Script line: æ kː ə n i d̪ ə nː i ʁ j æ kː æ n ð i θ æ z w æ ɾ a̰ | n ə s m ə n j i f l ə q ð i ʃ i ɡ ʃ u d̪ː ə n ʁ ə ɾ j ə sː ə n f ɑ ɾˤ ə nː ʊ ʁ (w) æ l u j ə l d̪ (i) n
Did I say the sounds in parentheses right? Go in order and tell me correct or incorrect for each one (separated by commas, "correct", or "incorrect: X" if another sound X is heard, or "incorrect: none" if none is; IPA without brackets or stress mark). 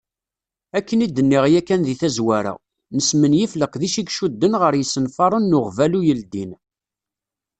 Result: incorrect: v, correct